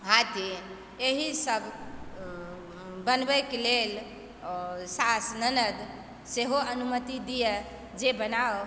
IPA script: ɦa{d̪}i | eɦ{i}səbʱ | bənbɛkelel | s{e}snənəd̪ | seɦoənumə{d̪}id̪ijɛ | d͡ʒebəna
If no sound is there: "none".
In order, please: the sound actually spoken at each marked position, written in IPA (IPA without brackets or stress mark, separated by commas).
t̪, i, a, t̪